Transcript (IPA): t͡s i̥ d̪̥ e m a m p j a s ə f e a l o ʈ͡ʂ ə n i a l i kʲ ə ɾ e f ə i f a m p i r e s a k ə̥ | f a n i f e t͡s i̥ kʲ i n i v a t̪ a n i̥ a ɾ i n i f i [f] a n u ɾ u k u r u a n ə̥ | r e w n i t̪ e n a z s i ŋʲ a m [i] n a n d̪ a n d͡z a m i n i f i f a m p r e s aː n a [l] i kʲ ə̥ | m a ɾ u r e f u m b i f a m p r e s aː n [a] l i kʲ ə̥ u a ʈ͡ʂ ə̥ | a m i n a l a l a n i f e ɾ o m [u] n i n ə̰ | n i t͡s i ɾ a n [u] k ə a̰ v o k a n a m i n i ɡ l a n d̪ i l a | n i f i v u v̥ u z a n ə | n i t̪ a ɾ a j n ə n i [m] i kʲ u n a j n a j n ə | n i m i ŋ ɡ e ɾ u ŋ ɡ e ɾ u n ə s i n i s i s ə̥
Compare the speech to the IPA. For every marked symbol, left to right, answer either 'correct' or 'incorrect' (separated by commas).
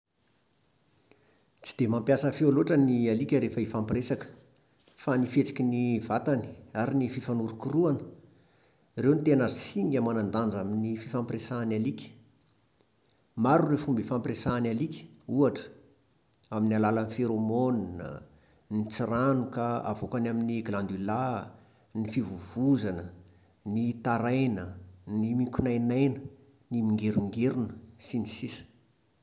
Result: correct, incorrect, correct, correct, incorrect, correct, correct